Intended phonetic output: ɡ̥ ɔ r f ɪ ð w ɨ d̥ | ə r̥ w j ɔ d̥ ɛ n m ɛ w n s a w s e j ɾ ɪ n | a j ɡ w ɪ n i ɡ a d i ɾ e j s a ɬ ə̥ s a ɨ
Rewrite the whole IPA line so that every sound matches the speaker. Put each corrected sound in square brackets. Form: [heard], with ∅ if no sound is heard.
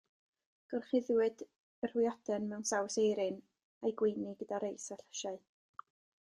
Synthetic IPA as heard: ɡ̥ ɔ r [χ] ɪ ð w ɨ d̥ | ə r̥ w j ɔ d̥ ɛ n m ɛ w n s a w s e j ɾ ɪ n | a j ɡ w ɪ n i ɡ [ə] d [a] ɾ e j s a ɬ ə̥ [ʃ] a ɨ